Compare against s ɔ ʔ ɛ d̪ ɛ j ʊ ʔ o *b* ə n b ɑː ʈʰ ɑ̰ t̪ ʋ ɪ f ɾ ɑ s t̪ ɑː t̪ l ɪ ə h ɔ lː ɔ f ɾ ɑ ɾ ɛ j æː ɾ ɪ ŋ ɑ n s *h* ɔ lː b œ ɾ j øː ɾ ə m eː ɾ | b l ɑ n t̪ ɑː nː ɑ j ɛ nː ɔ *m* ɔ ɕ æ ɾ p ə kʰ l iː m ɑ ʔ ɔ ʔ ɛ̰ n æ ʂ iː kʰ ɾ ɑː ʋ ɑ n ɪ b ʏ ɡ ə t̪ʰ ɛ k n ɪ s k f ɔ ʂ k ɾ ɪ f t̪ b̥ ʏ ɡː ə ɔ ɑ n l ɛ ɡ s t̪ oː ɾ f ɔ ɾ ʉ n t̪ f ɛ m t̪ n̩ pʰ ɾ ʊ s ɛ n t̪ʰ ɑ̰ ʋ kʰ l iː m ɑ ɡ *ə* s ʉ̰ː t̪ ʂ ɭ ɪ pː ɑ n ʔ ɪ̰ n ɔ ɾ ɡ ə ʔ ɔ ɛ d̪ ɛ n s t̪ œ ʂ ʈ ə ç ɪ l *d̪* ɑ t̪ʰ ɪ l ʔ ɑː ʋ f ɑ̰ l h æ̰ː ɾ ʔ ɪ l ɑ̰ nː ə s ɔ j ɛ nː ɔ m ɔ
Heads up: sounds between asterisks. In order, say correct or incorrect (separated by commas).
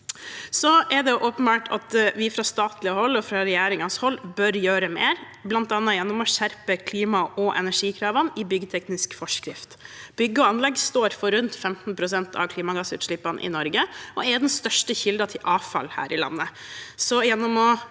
incorrect, correct, correct, incorrect, correct